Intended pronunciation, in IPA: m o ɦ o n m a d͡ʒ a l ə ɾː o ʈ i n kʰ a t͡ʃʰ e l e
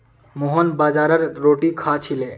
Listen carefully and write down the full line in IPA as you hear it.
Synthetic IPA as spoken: m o ɦ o n b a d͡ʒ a ɾ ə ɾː o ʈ i kʰ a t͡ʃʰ i l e